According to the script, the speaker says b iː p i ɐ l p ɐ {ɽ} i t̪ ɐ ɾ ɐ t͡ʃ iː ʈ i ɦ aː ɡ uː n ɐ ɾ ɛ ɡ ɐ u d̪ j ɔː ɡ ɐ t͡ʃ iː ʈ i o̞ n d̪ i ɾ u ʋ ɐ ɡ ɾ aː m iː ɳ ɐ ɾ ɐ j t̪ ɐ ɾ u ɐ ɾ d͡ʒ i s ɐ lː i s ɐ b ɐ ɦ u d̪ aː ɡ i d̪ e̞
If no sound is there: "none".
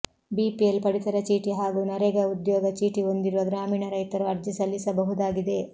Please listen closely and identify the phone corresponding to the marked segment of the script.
ɽ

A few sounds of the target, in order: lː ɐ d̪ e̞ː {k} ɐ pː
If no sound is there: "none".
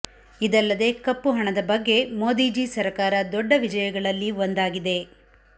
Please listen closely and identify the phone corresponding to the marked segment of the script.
k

